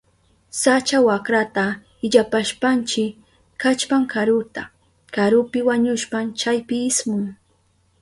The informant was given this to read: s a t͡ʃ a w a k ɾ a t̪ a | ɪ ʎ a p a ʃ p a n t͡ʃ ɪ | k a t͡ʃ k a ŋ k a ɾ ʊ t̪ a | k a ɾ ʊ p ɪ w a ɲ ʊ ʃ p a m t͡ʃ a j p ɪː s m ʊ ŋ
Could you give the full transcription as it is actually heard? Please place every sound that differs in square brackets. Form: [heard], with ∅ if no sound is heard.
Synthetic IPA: s a t͡ʃ a w a k ɾ a t̪ a | ɪ ʎ a p a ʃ p a n t͡ʃ ɪ | k a t͡ʃ [p] a ŋ k a ɾ ʊ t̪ a | k a ɾ ʊ p ɪ w a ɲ ʊ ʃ p a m t͡ʃ a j p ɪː s m ʊ ŋ